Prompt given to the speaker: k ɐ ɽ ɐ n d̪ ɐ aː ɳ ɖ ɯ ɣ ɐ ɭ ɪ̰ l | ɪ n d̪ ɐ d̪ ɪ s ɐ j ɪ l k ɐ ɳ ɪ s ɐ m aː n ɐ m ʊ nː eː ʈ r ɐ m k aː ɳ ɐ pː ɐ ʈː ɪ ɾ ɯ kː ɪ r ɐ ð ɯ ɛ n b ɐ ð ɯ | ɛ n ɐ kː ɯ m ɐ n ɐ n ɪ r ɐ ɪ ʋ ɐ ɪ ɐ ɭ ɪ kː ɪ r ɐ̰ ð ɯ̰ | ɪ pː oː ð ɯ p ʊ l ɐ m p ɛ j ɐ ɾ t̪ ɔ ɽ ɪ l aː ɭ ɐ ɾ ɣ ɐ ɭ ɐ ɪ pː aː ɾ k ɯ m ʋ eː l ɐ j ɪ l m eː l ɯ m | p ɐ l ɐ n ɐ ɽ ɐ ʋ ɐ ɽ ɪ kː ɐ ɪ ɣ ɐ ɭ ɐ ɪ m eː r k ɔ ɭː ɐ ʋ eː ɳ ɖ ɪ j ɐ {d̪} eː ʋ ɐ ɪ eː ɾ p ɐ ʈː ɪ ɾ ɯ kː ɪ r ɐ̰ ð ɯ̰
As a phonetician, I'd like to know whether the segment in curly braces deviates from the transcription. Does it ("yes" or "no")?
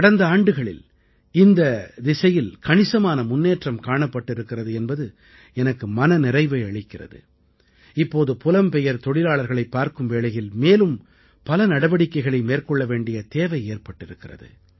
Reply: yes